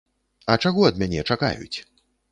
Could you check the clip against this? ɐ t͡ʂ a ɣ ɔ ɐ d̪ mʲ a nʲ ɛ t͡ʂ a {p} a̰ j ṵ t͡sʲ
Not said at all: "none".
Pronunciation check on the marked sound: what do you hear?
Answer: k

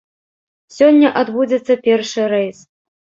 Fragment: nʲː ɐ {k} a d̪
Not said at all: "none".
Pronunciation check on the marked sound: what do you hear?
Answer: ʔ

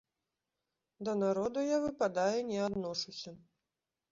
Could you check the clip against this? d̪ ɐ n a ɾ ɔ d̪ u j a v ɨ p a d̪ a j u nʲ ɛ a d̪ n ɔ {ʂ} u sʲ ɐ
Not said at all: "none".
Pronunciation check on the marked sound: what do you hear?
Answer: ʂ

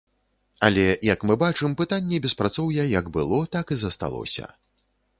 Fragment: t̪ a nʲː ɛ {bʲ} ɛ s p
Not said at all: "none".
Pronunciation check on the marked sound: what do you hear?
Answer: bʲ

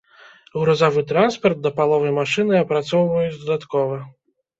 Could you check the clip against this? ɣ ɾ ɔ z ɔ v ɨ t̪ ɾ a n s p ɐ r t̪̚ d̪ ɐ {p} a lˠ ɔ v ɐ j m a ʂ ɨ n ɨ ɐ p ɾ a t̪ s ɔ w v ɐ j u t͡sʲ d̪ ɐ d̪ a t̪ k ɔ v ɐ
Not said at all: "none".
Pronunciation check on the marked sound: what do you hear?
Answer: p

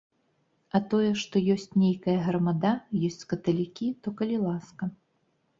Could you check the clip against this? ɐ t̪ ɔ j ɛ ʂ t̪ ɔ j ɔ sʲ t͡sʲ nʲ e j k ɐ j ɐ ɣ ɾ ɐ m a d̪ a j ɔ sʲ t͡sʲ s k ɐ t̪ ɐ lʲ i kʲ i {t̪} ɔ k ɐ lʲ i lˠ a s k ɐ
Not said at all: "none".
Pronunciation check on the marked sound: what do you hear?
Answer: t̪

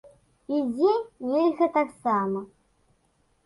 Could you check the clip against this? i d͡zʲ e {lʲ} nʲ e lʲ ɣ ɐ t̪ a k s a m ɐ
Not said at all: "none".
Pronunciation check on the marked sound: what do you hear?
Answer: none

